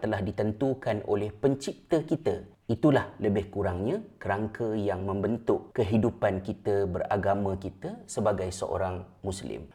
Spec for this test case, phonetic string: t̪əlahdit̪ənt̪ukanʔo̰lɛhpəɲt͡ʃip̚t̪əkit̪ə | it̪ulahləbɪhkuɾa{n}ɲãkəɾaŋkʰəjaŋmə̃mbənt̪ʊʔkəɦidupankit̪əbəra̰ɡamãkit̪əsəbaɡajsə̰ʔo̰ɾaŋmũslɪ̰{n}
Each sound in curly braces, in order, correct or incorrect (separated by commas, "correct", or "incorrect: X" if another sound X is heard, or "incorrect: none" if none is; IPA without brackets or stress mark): incorrect: ŋ, incorrect: m